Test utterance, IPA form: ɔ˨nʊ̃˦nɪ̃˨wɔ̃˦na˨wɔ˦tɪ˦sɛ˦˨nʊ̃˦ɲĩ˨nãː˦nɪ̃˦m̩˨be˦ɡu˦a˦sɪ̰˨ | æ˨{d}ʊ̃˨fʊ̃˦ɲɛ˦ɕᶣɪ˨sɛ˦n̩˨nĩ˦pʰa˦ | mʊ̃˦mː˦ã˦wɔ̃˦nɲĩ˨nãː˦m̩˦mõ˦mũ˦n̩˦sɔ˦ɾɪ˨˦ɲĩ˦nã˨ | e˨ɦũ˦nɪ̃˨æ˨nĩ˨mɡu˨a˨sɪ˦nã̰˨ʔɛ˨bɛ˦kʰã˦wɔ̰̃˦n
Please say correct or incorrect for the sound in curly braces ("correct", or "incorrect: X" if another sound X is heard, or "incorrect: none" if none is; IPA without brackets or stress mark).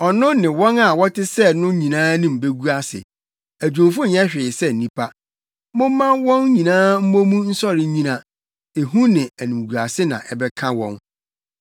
incorrect: d͡ʑᶣ